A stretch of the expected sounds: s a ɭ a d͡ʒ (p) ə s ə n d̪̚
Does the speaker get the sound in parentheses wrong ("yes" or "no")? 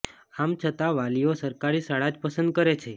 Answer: no